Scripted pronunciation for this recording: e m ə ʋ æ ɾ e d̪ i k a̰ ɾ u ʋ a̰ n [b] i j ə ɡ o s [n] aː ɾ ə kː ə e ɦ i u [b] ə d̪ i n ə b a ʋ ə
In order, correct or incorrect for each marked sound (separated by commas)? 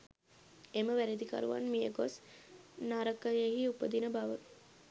incorrect, correct, incorrect